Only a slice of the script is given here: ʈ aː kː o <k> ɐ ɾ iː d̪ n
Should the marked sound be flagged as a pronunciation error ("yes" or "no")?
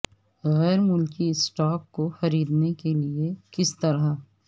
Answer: yes